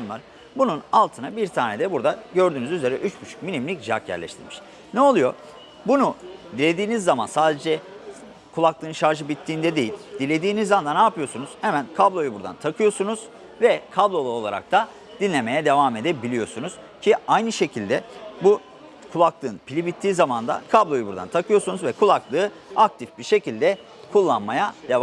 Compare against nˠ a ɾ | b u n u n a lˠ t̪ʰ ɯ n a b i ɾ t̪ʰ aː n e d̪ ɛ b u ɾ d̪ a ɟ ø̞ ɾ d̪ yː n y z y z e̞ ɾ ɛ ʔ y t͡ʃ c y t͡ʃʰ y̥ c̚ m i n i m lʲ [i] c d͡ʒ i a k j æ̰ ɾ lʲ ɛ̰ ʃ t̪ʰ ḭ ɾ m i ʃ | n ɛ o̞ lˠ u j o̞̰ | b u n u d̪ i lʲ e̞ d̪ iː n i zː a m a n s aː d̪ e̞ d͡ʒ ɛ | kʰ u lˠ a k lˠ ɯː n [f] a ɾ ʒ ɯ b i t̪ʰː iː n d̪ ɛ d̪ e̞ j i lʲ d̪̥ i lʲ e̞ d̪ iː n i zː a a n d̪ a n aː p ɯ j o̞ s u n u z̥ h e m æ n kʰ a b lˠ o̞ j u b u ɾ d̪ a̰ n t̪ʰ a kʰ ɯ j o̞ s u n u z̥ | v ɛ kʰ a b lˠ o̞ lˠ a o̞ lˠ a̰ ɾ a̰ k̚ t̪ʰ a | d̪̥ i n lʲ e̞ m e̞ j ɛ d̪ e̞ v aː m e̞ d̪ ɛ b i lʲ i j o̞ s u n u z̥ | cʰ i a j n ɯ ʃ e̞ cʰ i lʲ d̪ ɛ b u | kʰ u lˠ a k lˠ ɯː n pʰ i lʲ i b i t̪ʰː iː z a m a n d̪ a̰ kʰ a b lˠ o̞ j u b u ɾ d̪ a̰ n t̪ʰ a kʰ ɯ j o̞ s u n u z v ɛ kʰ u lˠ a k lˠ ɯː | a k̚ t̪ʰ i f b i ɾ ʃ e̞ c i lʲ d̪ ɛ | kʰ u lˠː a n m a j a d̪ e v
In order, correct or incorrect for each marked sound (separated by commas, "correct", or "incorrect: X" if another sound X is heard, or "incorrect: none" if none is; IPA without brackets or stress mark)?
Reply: correct, incorrect: ʃ